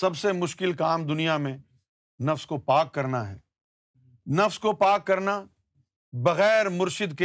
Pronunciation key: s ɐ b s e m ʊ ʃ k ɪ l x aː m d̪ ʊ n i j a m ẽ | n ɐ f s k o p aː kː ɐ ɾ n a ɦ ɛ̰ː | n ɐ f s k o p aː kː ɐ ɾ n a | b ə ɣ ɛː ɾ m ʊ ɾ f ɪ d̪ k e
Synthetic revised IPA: s ɐ b s e m ʊ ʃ k ɪ l k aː m d̪ ʊ n i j a m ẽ | n ɐ f s k o p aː kː ɐ ɾ n a ɦ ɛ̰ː | n ɐ f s k o p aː kː ɐ ɾ n a | b ɐ ɣ ɛː ɾ m ʊ ɾ ʃ ɪ d̪ k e